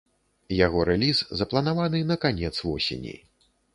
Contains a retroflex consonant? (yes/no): no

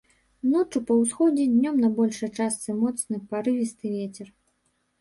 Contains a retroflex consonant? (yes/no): yes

